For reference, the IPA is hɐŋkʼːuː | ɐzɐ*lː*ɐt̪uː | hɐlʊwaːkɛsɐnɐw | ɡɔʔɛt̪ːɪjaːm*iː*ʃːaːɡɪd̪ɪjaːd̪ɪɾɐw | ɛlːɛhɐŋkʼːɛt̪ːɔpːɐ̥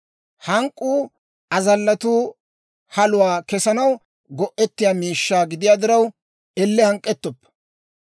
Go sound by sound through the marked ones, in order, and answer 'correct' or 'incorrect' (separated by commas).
correct, correct